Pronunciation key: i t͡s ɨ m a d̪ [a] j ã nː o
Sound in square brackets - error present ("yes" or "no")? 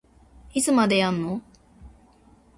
yes